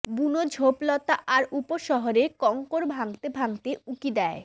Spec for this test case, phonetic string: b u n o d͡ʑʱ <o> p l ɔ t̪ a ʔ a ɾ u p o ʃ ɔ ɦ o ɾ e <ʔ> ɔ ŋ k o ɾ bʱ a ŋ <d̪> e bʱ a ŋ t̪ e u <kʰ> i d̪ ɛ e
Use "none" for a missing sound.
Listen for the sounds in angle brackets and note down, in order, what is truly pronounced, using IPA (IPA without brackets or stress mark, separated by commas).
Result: o, k, t̪, k